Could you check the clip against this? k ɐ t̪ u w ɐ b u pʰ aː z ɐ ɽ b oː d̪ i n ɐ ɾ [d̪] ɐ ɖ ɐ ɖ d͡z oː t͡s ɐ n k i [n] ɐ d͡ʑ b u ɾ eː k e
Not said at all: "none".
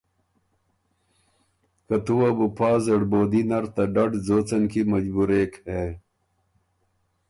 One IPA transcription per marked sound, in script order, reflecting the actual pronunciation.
t̪, m

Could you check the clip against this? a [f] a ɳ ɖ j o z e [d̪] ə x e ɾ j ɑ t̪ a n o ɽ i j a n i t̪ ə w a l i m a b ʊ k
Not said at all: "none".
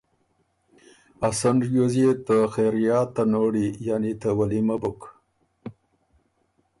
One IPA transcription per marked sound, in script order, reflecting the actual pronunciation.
s, t̪

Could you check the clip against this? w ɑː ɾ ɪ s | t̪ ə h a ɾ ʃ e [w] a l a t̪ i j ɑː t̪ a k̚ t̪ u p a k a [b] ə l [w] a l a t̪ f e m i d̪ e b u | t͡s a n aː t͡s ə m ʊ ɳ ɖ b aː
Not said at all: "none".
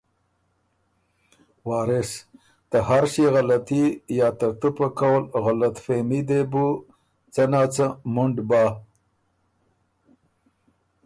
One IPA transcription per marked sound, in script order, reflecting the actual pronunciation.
ɣ, w, ɣ

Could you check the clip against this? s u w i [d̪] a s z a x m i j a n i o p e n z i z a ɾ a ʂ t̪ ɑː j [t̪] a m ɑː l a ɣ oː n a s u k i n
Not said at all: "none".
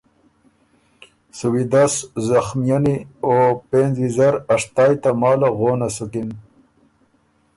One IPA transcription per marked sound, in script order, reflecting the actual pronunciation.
d̪, t̪

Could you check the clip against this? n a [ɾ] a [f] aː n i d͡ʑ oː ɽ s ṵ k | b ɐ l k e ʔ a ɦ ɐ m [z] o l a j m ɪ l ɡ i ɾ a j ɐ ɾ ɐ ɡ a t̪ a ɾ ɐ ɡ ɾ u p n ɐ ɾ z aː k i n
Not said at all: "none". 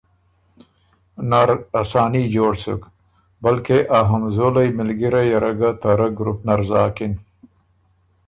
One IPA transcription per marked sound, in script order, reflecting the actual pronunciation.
ɾ, s, z

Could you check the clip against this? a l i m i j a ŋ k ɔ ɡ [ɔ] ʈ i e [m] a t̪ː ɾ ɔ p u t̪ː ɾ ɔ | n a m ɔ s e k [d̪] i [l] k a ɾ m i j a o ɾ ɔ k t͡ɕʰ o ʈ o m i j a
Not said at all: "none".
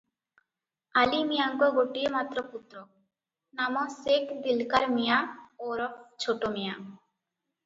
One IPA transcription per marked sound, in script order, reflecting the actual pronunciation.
o, m, d̪, l

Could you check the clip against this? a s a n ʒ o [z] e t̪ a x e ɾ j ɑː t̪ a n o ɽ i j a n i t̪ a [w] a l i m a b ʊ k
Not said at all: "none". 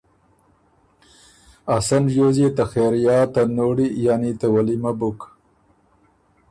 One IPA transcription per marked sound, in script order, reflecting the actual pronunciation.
z, w

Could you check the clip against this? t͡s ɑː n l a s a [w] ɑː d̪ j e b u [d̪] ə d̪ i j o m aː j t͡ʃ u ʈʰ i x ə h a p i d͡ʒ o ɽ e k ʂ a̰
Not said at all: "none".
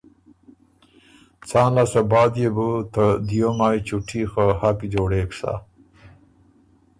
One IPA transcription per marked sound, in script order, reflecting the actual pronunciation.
b, t̪

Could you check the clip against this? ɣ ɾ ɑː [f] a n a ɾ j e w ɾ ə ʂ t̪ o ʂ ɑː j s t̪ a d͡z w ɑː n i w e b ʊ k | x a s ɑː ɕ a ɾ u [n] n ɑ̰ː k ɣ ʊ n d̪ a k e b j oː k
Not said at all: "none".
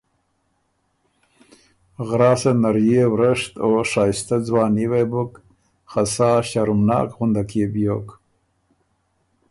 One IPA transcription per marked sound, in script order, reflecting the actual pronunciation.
s, m

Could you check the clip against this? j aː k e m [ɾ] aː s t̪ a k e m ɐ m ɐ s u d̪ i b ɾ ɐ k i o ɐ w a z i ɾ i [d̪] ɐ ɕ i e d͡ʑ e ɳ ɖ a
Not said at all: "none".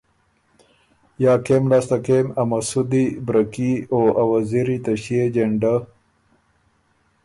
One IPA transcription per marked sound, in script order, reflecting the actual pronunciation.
l, t̪

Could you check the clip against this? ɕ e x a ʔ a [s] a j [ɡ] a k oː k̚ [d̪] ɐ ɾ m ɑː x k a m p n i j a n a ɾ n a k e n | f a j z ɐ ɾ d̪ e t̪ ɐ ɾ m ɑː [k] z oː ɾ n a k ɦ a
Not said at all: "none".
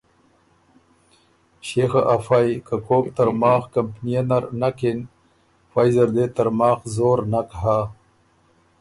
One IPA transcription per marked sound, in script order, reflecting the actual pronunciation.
f, k, t̪, x

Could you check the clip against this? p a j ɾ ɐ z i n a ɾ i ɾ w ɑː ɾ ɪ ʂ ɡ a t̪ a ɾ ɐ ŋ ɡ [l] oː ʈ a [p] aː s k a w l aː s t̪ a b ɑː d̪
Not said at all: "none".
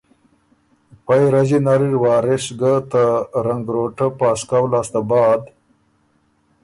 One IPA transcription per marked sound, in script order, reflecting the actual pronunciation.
ɾ, p

